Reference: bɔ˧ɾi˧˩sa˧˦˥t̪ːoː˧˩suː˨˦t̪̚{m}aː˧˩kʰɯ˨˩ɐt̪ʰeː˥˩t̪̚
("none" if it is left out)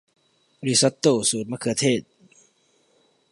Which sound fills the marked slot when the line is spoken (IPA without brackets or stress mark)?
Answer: m